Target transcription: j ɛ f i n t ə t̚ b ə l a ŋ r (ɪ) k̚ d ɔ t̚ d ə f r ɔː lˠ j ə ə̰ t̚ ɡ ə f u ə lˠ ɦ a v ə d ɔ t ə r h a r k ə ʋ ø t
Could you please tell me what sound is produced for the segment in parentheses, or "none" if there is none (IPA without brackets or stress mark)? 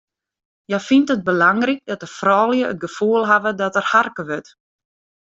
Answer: i